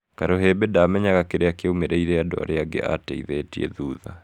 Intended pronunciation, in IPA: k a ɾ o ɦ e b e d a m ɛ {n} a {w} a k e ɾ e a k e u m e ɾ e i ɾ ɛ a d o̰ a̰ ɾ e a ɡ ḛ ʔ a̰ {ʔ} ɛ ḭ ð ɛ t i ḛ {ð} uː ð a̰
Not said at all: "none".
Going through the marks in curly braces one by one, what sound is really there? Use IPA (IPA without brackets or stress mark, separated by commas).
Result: ɲ, ɣ, t, ð